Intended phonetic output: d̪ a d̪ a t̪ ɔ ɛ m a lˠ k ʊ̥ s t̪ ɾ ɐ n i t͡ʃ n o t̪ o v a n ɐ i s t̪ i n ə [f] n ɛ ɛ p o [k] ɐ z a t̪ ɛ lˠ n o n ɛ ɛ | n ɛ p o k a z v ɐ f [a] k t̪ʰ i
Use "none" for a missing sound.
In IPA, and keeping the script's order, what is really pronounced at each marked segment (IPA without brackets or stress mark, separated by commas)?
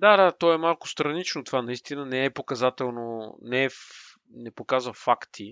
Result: none, k, a